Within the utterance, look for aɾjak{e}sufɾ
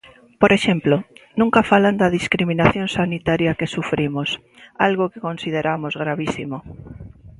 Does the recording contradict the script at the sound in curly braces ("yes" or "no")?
no